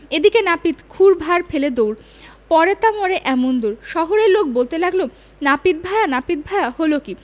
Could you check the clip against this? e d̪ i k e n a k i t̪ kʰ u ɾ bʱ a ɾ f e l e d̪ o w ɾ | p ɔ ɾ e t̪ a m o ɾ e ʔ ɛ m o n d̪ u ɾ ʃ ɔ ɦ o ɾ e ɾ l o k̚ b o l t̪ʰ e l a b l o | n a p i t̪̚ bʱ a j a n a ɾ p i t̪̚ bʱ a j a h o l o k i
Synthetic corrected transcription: e d̪ i k e n a p i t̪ kʰ u ɾ bʱ a ɾ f e l e d̪ o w ɾ | p ɔ ɾ e t̪ a m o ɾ e ʔ ɛ m o n d̪ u ɾ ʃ ɔ ɦ o ɾ e ɾ l o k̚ b o l t̪ e l a ɡ l o | n a p i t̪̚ bʱ a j a n a p i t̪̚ bʱ a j a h o l o k i